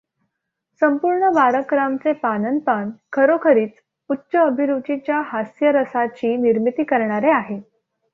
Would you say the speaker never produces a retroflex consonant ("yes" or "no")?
no